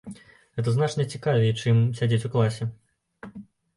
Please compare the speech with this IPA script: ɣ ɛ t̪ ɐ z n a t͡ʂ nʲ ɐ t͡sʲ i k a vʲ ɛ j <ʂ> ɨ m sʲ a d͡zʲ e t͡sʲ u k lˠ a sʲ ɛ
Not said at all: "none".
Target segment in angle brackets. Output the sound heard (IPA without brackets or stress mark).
t͡ʂ